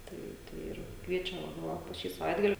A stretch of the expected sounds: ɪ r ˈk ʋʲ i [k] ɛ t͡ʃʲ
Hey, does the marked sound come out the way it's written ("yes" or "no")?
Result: no